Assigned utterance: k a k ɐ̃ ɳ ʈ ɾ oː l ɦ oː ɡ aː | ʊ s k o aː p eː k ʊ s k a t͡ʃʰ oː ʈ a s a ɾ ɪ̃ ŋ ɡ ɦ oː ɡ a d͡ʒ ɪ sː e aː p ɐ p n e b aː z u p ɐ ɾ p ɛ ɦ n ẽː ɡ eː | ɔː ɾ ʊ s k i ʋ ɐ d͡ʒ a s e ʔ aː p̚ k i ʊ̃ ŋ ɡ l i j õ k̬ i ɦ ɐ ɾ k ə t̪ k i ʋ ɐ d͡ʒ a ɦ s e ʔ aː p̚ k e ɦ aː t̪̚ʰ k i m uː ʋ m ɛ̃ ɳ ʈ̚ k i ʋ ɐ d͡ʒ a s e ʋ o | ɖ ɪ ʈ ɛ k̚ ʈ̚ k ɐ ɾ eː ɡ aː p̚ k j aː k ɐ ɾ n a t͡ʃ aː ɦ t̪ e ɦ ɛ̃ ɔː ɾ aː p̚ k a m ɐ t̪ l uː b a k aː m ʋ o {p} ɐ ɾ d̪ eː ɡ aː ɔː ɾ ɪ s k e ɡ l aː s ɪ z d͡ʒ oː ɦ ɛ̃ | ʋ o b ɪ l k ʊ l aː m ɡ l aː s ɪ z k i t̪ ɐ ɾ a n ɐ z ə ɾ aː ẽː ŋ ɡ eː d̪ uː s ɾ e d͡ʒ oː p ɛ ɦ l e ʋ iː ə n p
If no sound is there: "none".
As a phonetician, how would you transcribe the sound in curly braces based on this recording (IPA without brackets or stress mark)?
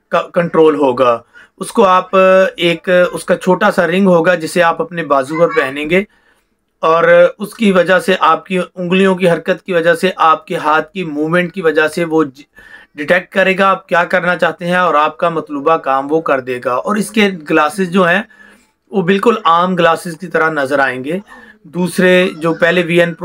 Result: k